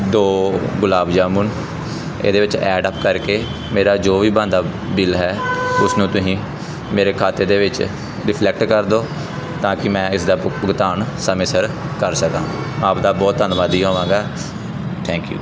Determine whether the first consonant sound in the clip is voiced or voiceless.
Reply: voiced